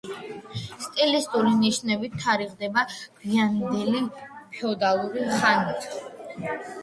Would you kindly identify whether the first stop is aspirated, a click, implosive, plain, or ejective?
ejective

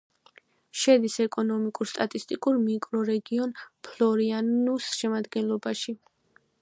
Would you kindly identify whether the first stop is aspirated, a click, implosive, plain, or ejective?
plain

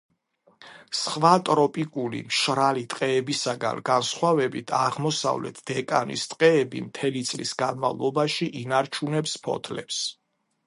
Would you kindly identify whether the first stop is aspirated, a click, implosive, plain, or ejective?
ejective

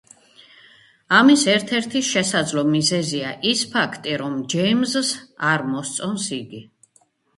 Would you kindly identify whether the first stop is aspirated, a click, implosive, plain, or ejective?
aspirated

